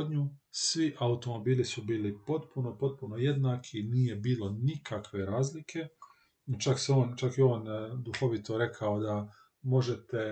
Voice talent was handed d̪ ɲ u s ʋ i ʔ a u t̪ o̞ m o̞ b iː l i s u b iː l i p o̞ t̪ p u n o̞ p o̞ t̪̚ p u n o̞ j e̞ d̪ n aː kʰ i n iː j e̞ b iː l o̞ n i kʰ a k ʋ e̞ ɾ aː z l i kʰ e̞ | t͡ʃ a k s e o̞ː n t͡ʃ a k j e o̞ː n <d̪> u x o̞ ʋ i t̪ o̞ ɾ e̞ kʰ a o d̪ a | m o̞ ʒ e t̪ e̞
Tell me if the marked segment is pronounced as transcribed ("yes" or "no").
yes